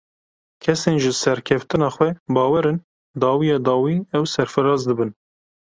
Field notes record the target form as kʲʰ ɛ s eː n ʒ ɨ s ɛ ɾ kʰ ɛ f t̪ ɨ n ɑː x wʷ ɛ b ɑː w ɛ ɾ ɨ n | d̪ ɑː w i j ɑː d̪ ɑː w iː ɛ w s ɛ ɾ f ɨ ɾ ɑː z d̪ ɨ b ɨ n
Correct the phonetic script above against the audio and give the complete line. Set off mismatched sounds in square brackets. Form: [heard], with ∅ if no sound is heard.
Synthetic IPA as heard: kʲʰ ɛ s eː n ʒ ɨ s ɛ ɾ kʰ ɛ f t̪ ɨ n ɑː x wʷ ɛ b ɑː w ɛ ɾ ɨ n | d̪ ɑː w i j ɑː d̪ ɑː w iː ɛ w s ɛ ɾ f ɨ ɾ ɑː z d̪ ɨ b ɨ n